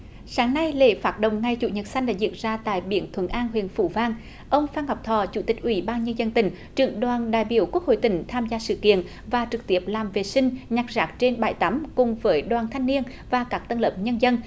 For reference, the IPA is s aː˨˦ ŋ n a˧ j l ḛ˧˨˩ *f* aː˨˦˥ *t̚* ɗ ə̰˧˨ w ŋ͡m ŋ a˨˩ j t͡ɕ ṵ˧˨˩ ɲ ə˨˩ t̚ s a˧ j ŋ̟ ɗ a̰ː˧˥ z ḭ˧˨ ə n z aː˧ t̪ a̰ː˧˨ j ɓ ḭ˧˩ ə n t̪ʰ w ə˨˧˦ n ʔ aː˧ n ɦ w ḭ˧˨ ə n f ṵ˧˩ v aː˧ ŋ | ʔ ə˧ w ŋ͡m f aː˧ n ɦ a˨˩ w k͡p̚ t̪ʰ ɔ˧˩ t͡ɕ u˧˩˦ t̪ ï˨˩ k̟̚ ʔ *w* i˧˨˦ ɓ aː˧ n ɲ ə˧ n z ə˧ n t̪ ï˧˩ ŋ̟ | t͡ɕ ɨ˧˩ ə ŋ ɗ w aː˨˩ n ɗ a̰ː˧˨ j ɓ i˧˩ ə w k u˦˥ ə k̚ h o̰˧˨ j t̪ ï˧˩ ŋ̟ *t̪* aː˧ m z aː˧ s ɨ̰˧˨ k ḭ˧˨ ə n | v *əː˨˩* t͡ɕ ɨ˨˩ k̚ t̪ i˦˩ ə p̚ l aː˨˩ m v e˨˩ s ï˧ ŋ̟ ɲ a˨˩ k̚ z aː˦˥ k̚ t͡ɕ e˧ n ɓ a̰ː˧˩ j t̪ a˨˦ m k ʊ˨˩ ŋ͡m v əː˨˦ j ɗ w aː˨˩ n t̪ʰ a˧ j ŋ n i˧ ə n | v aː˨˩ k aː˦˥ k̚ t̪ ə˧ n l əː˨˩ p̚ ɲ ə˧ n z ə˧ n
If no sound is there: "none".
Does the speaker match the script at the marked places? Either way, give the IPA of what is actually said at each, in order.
f, t̚, w, t̪ʰ, aː˨˩

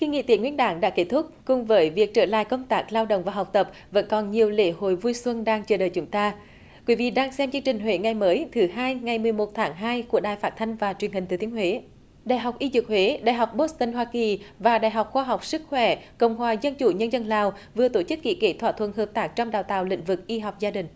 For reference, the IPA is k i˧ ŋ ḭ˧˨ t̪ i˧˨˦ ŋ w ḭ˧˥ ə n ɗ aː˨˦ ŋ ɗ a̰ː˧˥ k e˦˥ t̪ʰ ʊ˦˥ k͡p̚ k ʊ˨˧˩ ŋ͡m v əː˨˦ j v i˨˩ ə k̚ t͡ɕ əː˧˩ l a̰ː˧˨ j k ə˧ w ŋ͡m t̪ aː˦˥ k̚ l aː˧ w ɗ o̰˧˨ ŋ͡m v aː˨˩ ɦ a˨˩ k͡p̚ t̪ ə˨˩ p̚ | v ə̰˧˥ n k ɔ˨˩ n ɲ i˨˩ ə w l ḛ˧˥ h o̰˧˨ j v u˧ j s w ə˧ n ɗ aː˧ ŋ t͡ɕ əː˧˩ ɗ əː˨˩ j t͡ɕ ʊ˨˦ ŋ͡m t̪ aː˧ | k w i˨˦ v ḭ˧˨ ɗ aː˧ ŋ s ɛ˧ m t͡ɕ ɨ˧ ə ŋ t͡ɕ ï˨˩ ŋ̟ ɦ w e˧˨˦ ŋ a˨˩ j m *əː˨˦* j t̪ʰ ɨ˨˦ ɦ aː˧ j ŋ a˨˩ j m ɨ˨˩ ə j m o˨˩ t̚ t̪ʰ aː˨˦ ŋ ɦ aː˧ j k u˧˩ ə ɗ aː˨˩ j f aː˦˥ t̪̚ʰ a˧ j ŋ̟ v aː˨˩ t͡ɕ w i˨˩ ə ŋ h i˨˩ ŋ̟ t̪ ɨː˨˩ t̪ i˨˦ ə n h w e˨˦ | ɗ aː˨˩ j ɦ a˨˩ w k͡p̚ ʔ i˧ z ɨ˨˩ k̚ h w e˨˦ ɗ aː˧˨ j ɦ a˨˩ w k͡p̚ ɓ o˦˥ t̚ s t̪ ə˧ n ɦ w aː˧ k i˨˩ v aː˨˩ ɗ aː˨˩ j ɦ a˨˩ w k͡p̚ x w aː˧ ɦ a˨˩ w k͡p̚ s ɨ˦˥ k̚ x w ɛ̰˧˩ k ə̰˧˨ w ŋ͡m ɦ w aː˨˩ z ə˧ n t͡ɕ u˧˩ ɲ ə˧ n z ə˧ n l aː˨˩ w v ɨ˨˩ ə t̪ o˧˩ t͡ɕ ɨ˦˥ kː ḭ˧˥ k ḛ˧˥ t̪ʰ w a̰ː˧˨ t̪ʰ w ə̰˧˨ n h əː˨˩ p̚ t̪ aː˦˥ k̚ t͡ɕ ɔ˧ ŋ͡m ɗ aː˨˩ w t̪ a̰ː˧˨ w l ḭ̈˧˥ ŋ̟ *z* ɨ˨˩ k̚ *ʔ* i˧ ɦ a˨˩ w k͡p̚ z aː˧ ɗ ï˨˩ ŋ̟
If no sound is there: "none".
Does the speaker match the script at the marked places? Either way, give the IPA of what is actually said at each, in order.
əː˨˦, v, ʔ

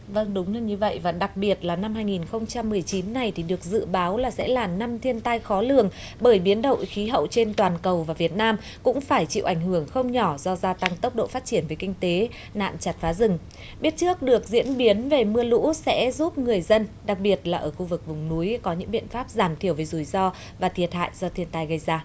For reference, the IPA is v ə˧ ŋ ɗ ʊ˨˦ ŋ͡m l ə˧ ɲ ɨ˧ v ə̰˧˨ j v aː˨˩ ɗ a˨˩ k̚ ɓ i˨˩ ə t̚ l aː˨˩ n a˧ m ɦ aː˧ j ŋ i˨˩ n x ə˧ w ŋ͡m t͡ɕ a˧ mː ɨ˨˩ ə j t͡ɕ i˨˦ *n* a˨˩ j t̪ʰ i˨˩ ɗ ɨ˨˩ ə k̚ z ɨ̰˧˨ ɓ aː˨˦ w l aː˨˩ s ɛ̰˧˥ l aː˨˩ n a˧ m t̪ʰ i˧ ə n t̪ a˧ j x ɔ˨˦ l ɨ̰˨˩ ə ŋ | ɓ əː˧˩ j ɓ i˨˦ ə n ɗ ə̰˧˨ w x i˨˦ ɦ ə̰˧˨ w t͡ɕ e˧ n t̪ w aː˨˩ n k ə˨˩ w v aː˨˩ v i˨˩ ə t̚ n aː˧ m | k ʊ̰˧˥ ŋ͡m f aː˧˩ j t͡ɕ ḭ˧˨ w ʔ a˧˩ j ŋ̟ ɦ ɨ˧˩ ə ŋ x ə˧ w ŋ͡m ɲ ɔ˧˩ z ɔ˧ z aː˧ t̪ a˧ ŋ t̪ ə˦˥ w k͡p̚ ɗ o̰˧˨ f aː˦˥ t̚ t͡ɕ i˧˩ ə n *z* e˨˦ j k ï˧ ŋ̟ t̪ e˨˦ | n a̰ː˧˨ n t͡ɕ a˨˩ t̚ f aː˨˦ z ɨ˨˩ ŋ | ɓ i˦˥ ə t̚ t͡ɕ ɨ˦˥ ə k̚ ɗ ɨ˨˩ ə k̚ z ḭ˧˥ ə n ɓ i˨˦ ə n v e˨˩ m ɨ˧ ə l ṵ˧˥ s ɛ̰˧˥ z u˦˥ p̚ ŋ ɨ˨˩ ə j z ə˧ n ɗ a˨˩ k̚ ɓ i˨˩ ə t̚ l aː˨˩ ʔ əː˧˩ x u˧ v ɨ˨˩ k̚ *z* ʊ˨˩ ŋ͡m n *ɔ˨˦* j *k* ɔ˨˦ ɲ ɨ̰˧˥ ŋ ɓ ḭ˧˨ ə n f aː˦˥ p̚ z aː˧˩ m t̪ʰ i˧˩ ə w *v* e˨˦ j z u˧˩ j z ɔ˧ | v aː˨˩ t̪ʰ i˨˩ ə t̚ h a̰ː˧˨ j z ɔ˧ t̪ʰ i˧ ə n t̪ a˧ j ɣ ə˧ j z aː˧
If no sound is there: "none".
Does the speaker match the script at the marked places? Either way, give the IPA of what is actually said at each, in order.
nː, v, v, u˨˦, k, v

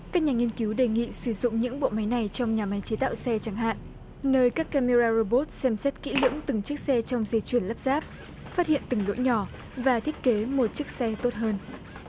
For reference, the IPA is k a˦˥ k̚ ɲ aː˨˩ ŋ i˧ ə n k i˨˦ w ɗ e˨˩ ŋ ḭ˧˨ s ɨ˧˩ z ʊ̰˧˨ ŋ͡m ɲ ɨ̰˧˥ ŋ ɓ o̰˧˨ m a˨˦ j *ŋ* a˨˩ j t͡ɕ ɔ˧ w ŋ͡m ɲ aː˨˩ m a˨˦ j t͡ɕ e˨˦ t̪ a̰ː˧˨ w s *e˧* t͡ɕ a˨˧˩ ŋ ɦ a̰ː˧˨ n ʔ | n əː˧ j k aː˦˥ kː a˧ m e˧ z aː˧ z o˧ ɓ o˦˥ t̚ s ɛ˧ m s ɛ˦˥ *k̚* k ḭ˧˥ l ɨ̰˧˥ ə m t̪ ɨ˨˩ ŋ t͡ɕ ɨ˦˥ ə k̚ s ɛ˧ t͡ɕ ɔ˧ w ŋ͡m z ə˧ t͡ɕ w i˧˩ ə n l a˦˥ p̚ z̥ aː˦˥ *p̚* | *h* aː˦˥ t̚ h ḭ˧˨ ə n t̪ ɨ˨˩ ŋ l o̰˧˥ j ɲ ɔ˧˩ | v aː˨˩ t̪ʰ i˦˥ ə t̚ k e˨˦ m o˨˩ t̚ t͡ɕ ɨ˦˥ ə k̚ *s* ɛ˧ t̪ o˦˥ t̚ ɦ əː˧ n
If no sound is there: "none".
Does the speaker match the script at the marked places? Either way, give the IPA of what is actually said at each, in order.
n, ɛ˧, t̚, p̚, f, s

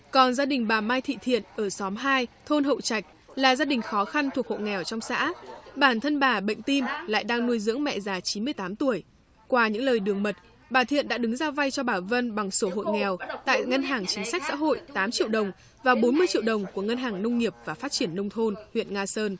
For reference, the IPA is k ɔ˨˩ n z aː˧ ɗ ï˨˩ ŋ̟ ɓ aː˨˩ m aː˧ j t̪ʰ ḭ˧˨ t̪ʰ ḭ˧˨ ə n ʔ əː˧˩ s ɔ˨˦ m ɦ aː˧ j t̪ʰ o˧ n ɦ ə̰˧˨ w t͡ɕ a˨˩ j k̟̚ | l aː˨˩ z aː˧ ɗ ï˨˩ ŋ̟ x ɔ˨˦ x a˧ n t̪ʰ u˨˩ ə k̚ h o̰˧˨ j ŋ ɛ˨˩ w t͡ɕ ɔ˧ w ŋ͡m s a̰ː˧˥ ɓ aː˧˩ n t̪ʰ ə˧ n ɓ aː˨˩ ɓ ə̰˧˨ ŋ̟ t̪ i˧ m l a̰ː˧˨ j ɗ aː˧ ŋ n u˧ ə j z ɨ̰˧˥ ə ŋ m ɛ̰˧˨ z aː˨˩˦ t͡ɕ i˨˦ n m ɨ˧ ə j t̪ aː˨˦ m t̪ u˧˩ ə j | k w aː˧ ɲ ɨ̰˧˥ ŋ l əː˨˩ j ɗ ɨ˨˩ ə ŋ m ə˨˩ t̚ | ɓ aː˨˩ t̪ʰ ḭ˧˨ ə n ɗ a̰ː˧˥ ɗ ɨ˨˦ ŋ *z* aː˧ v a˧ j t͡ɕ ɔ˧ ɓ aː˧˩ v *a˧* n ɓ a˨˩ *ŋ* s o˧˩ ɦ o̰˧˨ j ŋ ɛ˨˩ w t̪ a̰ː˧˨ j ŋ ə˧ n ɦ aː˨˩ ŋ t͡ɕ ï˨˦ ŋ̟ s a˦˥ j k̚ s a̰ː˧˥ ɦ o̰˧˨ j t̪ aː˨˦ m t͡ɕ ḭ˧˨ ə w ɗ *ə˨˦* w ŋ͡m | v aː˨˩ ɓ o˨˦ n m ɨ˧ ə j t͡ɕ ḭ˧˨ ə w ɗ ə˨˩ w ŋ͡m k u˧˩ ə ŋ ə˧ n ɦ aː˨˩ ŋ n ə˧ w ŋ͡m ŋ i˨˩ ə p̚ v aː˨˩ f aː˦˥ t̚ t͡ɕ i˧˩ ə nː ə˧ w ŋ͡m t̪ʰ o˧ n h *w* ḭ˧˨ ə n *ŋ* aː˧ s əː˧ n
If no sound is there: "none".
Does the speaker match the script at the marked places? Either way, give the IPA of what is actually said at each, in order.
z, ə˧, ŋ, ə˨˩, w, ŋ

